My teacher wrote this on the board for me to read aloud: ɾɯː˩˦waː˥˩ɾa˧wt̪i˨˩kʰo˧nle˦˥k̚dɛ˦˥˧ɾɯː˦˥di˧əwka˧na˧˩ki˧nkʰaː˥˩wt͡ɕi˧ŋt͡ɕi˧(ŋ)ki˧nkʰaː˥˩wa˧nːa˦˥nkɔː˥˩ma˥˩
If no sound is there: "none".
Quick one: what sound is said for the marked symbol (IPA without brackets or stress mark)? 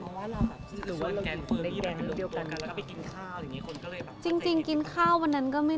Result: ŋ